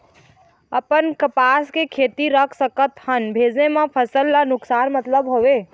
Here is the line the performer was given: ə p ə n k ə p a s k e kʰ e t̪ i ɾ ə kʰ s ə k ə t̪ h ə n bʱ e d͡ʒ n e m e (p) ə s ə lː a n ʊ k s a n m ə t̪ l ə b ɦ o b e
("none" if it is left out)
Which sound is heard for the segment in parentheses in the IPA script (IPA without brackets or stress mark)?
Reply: pʰ